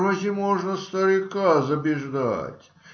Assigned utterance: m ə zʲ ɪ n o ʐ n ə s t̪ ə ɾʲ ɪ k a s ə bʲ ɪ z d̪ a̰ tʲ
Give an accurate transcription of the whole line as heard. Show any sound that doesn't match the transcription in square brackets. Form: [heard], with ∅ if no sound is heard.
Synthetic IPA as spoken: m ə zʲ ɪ [m] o ʐ n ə s t̪ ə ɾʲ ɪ k a [z] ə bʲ ɪ [ʐ] d̪ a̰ tʲ